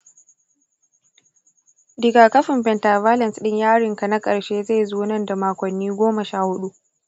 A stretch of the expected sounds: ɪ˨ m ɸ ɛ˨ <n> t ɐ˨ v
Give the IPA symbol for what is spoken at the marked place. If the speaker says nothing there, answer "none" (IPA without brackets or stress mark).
n